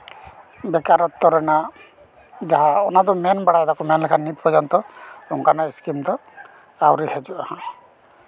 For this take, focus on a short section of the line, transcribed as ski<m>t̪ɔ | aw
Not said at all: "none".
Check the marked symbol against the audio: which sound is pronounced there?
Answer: m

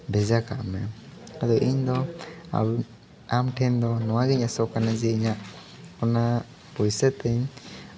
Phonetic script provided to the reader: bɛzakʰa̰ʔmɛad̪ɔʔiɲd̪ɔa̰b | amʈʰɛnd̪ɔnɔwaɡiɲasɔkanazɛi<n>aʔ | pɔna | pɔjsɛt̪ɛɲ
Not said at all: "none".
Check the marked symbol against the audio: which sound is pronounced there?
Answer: ɲ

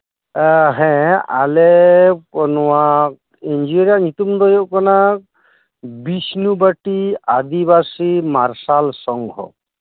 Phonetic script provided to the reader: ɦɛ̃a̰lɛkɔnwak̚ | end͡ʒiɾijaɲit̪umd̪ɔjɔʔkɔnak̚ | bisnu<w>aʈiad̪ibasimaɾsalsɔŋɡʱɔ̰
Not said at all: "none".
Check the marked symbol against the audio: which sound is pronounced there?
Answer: b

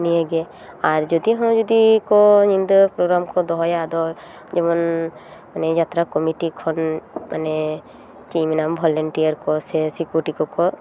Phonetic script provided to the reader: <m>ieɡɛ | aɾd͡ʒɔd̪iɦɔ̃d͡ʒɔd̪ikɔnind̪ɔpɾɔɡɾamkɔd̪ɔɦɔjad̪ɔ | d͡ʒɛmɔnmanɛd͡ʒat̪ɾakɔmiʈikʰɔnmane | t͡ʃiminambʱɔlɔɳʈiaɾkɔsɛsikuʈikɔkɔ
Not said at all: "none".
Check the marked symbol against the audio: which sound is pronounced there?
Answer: n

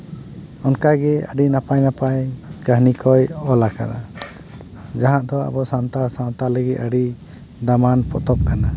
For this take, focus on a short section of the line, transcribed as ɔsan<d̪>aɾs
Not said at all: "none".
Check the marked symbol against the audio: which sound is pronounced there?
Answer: t̪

